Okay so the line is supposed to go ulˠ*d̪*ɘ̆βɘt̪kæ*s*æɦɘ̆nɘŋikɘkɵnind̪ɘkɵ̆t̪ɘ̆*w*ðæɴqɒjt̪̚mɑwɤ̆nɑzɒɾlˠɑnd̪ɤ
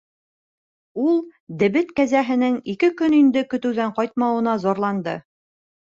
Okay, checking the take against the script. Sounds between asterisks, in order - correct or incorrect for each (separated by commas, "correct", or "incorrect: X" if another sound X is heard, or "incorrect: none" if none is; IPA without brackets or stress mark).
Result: correct, incorrect: z, correct